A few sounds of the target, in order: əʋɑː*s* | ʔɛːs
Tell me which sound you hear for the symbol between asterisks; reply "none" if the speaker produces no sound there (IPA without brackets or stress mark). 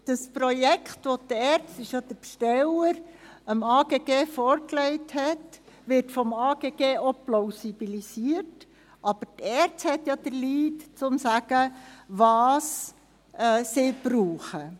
s